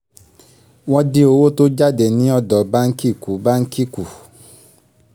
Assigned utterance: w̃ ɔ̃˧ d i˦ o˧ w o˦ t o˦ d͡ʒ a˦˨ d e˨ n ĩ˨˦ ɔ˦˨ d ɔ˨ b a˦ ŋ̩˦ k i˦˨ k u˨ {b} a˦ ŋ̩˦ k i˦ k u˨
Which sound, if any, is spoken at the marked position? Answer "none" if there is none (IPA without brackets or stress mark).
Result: b